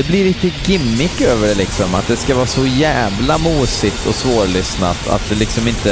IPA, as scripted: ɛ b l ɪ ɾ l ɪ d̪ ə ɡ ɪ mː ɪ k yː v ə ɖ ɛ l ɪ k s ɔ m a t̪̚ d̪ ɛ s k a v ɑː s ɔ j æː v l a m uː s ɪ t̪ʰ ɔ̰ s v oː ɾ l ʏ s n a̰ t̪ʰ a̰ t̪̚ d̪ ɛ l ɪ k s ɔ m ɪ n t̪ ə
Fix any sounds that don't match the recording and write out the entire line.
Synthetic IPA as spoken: ɛ b l ɪ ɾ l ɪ t̪ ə ɡ ɪ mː ɪ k øː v ə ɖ ɛ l ɪ k s ɔ m a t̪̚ d̪ ɛ s k a v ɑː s ɔ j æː v l a m uː s ɪ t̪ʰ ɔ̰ s v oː ɾ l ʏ s n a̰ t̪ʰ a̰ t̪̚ d̪ ɛ l ɪ k s ɔ m ɪ n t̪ ə